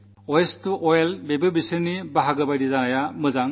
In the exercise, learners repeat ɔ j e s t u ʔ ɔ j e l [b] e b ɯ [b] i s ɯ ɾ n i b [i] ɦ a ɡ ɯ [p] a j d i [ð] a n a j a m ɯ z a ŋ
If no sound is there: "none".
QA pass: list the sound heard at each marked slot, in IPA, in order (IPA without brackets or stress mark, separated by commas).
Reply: b, b, a, b, z